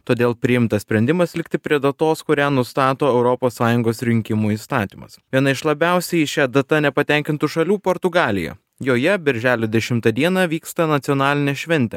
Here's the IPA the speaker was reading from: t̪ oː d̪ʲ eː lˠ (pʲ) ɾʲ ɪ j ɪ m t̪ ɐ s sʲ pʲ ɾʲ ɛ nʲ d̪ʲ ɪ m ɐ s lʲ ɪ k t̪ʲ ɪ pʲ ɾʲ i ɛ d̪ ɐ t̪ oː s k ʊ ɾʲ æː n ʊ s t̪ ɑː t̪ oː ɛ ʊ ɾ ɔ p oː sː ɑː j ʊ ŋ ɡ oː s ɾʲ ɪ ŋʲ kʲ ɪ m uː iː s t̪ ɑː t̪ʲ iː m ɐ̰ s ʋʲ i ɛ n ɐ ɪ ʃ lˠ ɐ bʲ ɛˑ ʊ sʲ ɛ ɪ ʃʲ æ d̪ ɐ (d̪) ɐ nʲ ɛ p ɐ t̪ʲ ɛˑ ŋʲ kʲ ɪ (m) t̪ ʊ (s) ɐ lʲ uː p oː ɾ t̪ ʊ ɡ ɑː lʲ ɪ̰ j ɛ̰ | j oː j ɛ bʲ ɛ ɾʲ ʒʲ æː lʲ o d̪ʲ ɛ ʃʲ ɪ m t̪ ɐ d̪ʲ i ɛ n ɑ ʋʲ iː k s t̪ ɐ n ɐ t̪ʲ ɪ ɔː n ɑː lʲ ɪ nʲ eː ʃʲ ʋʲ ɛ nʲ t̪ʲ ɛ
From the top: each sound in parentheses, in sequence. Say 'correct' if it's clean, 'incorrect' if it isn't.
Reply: correct, incorrect, incorrect, incorrect

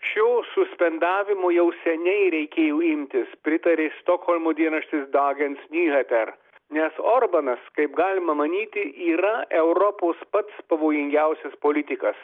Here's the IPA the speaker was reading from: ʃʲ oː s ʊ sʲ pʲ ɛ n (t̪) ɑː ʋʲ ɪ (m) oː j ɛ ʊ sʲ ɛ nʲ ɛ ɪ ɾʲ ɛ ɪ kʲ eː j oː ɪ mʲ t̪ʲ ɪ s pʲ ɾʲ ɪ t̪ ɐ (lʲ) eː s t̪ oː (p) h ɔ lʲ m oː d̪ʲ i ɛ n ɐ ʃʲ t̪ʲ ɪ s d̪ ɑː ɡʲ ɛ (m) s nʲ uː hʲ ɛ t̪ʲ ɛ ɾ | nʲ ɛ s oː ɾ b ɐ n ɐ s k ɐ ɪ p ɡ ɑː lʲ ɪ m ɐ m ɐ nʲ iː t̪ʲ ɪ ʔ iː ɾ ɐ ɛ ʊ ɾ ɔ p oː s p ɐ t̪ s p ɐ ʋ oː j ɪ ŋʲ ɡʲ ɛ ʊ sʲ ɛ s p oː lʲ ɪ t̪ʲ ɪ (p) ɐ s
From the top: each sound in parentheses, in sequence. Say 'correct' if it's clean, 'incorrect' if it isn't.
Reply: incorrect, correct, incorrect, incorrect, incorrect, incorrect

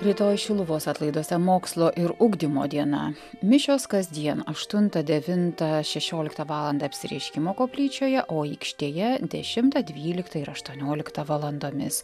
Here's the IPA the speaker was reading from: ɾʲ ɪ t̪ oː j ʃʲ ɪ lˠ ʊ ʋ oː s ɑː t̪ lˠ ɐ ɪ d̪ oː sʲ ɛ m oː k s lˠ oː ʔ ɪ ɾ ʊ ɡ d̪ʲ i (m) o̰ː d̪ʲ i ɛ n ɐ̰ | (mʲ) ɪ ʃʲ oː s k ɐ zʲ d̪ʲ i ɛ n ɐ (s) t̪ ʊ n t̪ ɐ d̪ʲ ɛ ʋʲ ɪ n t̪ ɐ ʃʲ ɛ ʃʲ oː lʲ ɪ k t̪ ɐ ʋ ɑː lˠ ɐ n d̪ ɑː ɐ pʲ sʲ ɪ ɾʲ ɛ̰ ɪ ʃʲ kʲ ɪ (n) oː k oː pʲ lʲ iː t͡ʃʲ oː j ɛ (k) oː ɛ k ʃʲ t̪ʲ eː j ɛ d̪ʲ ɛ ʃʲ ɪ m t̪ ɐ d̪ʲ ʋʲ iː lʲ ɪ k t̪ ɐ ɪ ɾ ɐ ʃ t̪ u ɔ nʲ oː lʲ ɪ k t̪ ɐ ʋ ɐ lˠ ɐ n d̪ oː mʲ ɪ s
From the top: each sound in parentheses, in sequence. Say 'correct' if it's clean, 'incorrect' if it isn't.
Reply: correct, correct, incorrect, incorrect, incorrect

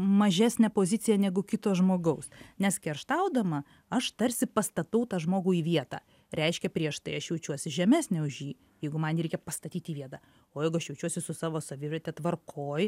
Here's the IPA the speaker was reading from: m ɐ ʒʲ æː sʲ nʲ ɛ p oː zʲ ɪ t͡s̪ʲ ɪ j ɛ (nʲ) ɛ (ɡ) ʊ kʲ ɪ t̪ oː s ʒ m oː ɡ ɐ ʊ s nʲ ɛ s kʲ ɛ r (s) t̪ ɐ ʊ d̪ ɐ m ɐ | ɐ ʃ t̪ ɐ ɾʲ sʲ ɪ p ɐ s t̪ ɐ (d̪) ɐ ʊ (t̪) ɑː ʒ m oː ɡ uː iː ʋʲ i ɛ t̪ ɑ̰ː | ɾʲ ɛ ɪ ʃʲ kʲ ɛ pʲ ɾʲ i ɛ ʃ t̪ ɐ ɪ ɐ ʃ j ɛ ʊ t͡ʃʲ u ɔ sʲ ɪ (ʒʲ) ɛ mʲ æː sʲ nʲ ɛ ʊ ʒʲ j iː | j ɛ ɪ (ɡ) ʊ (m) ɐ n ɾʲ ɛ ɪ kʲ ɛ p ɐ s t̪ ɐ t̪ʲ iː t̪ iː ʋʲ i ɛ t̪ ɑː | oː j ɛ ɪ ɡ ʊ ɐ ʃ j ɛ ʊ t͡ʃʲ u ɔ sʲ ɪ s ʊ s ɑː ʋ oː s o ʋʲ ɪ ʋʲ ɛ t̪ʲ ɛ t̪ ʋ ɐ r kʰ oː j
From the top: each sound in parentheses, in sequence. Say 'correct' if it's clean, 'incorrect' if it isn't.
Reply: correct, correct, incorrect, incorrect, correct, correct, correct, correct

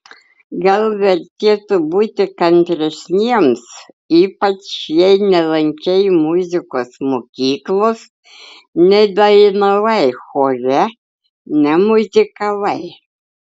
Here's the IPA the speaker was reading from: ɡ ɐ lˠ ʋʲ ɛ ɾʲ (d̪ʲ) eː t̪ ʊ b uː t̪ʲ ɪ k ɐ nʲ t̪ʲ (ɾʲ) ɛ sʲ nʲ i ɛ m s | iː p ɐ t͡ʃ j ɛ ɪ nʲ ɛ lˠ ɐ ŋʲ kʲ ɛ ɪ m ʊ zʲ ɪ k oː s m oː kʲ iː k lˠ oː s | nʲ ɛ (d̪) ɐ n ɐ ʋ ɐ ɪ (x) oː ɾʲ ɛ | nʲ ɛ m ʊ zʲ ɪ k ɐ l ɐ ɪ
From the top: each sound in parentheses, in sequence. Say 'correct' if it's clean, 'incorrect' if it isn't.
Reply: incorrect, correct, correct, correct

